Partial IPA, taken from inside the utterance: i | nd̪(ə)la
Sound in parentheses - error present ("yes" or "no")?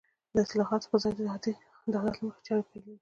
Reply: yes